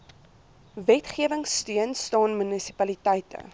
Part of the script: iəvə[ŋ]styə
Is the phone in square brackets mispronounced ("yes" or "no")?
no